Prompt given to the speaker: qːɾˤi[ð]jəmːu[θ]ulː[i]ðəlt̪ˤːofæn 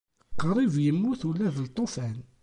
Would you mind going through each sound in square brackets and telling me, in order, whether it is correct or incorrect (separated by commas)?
incorrect, correct, incorrect